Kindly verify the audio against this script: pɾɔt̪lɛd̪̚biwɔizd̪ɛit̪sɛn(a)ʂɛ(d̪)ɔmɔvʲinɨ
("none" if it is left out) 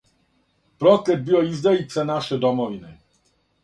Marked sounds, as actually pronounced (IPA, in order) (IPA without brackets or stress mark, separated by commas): a, d̪